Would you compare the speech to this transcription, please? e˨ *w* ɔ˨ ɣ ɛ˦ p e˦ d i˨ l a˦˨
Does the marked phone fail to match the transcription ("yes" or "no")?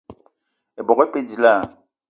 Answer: yes